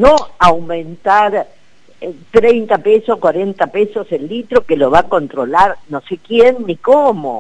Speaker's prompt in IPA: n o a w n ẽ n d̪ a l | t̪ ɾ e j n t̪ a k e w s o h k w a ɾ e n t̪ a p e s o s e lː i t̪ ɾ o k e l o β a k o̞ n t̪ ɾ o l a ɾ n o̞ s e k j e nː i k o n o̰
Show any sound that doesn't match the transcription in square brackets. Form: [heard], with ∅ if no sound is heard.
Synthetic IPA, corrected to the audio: n o a w [m] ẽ n [t̪] a [ɾ] | t̪ ɾ e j n t̪ a [p] e [∅] s o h k w a ɾ e n t̪ a p e s o s e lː i t̪ ɾ o k e l o β a k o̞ n t̪ ɾ o l a ɾ n o̞ s e k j e nː i k o [m] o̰